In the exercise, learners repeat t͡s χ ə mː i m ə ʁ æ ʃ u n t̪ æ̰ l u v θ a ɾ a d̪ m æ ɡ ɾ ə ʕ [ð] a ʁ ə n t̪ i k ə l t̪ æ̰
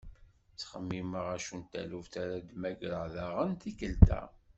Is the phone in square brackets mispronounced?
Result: no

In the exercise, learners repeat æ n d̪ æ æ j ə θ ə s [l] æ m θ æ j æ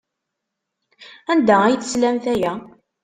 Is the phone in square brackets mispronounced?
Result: no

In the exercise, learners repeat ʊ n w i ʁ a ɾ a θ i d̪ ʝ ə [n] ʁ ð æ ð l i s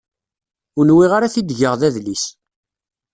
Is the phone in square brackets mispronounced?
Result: yes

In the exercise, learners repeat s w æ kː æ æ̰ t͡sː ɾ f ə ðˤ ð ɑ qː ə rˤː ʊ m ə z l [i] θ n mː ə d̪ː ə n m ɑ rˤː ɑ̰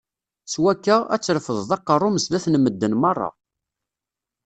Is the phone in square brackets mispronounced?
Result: yes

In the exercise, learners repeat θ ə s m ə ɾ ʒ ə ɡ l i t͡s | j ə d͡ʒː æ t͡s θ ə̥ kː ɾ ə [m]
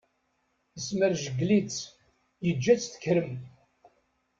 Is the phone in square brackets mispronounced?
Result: no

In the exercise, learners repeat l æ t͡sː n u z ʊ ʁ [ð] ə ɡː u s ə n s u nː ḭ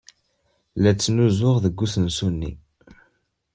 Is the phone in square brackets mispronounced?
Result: no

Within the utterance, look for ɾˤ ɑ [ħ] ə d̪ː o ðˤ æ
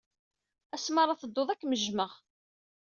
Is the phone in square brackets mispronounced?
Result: yes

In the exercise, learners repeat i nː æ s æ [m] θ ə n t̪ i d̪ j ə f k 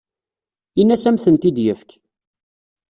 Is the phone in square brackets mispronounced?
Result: no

